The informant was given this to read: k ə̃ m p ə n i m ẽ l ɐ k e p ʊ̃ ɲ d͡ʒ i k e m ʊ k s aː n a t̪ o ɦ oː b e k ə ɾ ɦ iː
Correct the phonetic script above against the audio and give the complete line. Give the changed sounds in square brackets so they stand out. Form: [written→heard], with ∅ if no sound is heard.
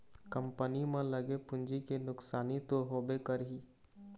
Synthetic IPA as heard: k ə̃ m p ə n i m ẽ l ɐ [k→ɡ] e p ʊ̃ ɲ d͡ʒ i k e [m→n] ʊ k s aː n [a→i] t̪ o ɦ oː b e k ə ɾ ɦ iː